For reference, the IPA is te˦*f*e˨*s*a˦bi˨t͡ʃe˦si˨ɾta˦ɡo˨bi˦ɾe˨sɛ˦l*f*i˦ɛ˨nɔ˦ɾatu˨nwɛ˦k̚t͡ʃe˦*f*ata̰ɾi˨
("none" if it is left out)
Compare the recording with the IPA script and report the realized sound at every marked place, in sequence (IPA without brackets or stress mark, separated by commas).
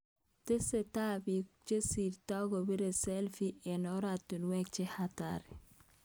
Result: s, t, f, h